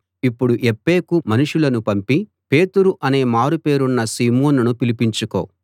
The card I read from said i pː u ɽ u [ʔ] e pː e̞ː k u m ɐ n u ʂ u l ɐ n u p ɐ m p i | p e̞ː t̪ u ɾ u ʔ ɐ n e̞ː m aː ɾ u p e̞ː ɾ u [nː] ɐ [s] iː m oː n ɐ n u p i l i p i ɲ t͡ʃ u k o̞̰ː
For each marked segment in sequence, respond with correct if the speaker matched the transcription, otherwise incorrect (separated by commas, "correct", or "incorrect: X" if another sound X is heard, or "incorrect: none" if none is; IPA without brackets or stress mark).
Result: correct, correct, correct